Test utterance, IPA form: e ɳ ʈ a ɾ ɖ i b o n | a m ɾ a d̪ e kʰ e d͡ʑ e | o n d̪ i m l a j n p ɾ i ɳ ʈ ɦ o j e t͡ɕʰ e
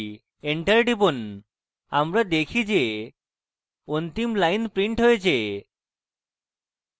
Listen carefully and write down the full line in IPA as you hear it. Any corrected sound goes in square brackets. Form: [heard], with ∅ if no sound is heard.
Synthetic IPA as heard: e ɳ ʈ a ɾ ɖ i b o n | a m ɾ a d̪ e kʰ [i] d͡ʑ e | o n [t̪] i m l a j n p ɾ i ɳ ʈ ɦ o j e t͡ɕʰ e